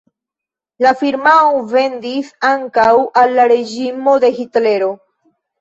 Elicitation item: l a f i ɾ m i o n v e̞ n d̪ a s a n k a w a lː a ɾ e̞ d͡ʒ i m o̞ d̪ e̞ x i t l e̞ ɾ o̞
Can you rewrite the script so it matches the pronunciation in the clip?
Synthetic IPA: l a f i ɾ m a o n v e̞ n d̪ i s a ŋ k a w a lː a ɾ e̞ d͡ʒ i m o̞ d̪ e̞ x i t l e̞ ɾ o̞

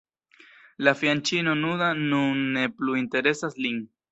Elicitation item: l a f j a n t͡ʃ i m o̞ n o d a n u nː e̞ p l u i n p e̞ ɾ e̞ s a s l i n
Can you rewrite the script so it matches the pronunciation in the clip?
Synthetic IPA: l a f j a n t͡ʃ i n o̞ n u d a n u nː e̞ p l u i n t e̞ ɾ e̞ s a s l i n

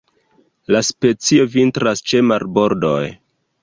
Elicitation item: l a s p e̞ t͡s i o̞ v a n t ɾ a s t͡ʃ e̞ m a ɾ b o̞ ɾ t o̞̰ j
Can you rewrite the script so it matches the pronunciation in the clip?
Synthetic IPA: l a s p e̞ t͡s i o̞ v i n t ɾ a s t͡ʃ e̞ m a ɾ b o̞ ɾ d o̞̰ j

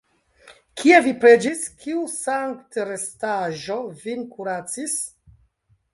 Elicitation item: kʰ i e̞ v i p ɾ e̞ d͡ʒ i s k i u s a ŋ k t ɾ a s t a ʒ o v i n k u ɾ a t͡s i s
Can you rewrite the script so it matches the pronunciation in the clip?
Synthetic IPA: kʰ i e̞ v i p ɾ e̞ d͡ʒ i s k i u s a ŋ k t ɾ e s t a ʒ o v i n k u ɾ a t͡s i s

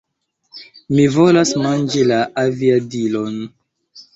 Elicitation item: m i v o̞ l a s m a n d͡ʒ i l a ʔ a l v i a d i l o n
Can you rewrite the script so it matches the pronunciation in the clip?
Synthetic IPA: m i v o̞ l a s m a n d͡ʒ i l a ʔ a v i a d i l o n

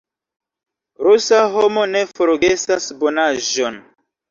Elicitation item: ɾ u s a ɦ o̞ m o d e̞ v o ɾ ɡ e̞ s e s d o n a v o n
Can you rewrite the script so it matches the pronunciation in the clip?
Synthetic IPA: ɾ u s a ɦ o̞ m o n e̞ f o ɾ ɡ e̞ s a s b o n a ʒ o n

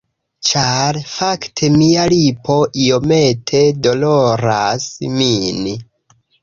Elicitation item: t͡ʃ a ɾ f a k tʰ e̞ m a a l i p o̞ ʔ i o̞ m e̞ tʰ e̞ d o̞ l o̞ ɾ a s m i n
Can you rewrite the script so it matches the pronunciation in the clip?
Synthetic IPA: t͡ʃ a ɾ f a k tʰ e̞ m i a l i p o̞ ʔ i o̞ m e̞ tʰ e̞ d o̞ l o̞ ɾ a s m i n

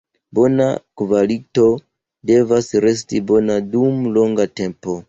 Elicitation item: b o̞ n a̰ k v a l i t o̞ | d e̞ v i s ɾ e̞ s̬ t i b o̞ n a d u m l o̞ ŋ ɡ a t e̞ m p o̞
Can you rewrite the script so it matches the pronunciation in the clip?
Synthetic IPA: b o̞ n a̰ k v a l i t o̞ | d e̞ v a s ɾ e̞ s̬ t i b o̞ n a d u m l o̞ ŋ ɡ a t e̞ m p o̞

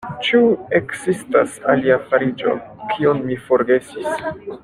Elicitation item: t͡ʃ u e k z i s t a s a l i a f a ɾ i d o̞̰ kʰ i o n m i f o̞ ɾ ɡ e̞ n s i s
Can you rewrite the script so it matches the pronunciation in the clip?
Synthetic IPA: t͡ʃ u e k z i s t a s a l i a f a ɾ i d͡ʒ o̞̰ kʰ i o n m i f o̞ ɾ ɡ e̞ s i s

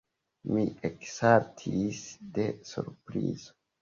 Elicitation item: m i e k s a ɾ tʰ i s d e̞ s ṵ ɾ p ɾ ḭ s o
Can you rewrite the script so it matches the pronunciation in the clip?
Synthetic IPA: m i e k s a ɾ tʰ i s d e̞ s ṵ ɾ p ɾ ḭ z o

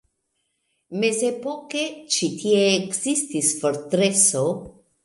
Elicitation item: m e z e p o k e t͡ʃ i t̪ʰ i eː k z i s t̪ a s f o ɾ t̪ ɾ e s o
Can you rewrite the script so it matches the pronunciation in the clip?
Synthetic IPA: m e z e p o k e t͡ʃ i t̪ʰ i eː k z i s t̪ i s f o ɾ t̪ ɾ e s o

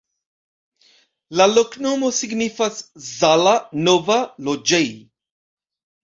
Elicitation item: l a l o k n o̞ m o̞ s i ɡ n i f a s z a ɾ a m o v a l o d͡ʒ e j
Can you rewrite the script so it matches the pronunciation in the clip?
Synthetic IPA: l a l o k n o̞ m o̞ s i ɡ n i f a s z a l a n o v a l o d͡ʒ e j

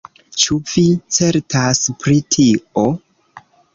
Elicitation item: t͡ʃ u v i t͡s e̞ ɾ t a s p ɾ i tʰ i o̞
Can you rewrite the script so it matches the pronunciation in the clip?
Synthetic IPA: t͡ʃ u v i t͡s e̞ ɾ t a s p ɾ i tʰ i o̞

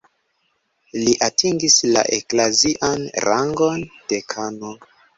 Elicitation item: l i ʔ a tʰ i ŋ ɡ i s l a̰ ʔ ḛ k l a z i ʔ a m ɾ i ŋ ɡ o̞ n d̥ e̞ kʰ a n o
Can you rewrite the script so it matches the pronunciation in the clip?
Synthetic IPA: l i ʔ a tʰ i ŋ ɡ i s l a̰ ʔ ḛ k l a z i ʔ a n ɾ a ŋ ɡ o̞ n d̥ e̞ kʰ a n o

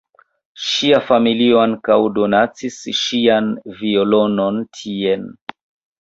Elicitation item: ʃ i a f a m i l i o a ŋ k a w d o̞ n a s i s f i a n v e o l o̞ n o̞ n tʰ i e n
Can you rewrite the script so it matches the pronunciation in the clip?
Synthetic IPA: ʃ i a f a m i l i o a ŋ k a w d o̞ n a t͡s i s ʃ i a n v i o l o̞ n o̞ n tʰ i e n

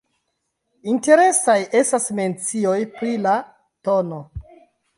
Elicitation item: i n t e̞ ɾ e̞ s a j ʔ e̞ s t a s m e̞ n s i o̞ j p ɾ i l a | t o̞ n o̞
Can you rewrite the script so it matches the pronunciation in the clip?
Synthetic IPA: i n t e̞ ɾ e̞ s a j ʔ e̞ s t a s m e̞ n t͡s i o̞ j p ɾ i l a | t o̞ n o̞

